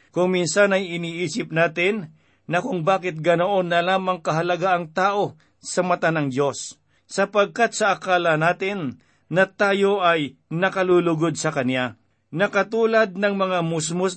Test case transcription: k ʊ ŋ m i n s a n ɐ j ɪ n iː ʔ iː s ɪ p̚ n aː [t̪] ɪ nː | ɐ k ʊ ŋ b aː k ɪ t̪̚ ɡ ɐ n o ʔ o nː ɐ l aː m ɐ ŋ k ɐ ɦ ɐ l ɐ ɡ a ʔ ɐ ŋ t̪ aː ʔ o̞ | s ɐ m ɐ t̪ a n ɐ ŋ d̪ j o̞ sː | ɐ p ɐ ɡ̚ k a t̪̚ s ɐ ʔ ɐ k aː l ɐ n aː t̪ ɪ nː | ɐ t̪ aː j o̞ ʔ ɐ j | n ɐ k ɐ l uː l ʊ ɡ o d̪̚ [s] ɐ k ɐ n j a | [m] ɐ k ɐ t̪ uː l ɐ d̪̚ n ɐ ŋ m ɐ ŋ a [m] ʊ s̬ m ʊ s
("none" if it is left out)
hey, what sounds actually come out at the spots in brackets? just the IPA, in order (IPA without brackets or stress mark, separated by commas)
t̪, s, n, m